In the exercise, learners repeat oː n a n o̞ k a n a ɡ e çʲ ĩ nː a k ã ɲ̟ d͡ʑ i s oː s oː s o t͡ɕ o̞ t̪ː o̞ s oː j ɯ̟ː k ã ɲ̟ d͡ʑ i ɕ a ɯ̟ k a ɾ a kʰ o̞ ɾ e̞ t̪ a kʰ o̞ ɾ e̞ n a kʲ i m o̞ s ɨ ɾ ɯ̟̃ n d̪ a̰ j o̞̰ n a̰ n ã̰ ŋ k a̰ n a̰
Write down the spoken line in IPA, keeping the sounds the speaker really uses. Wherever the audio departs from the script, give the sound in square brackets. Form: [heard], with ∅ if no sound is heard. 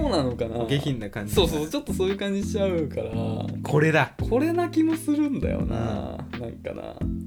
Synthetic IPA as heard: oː n a n o̞ k a n a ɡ e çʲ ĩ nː a k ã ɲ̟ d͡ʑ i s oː s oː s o t͡ɕ o̞ t̪ː o̞ s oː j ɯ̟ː k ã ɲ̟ d͡ʑ i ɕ a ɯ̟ k a ɾ a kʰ o̞ ɾ e̞ [d̪] a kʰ o̞ ɾ e̞ n a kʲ i m o̞ s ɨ ɾ ɯ̟̃ n d̪ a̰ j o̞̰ n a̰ n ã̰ ŋ k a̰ n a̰